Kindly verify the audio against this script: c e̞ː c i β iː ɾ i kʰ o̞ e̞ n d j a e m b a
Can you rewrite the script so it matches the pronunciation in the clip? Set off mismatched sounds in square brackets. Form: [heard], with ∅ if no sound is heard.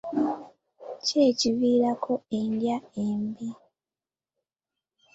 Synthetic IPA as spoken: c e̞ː c i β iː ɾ [a] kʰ o̞ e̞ n d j a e m b [i]

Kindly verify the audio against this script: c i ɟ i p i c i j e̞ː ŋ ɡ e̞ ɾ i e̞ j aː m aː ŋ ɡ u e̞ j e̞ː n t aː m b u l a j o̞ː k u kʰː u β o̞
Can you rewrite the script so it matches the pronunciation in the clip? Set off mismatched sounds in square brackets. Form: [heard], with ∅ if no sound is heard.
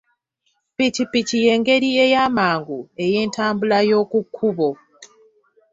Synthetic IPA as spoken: [p] i [c] i p i c i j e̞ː ŋ ɡ e̞ ɾ i e̞ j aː m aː ŋ ɡ u e̞ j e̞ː n t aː m b u l a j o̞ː k u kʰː u β o̞

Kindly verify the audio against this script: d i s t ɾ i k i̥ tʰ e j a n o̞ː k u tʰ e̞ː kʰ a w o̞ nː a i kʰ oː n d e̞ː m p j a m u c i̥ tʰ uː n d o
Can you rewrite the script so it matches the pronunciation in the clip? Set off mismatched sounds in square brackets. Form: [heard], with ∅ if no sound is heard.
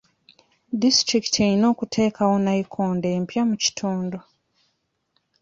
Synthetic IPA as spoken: d i s t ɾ i k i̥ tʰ e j [i] n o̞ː k u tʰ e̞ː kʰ a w o̞ [n] a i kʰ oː n d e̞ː m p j a m u c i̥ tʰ uː n d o

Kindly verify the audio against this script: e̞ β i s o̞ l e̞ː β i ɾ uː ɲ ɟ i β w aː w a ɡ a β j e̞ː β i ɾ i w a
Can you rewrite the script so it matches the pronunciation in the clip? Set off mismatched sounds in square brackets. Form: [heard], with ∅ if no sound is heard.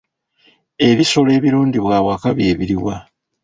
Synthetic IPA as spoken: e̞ β i s o̞ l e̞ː β i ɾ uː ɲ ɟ i β w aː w a [k] a β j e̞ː β i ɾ i w a

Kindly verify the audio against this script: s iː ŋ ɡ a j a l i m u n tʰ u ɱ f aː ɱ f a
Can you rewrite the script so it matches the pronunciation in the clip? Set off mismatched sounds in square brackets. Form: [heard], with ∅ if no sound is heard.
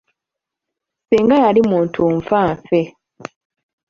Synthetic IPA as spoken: s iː ŋ ɡ a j a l i m [uː] n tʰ u ɱ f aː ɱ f [e]

